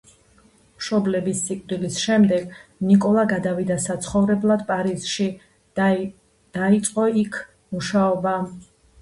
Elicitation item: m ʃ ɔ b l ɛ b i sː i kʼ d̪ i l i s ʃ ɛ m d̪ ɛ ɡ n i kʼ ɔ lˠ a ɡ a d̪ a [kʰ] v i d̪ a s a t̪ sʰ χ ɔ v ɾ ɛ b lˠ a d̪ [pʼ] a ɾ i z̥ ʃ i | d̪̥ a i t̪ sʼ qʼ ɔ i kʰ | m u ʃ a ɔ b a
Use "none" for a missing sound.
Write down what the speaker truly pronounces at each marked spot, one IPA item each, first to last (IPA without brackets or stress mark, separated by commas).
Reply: none, pʼ